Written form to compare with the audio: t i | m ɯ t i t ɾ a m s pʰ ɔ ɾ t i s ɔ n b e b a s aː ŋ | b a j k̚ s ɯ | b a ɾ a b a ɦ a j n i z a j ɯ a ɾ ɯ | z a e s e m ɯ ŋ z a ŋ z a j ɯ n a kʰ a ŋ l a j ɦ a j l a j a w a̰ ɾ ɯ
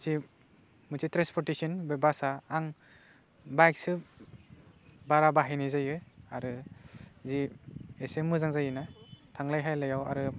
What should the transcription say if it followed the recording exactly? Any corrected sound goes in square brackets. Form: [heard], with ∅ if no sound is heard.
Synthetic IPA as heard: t i | m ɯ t i t ɾ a [n] s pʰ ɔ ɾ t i s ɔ n b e b a s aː ŋ | b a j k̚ s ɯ | b a ɾ a b a ɦ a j n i z a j ɯ a ɾ ɯ | z [i] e s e m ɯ [∅] z a ŋ z a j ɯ n a [tʰ] a ŋ l a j ɦ a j l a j a w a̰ ɾ ɯ